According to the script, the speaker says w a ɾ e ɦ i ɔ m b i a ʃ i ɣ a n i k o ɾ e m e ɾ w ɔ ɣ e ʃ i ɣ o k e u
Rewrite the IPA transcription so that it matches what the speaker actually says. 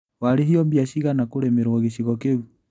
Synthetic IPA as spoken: w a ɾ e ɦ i ɔ m b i a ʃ i ɣ a n a k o ɾ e m e ɾ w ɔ ɣ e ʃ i ɣ ɔ k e u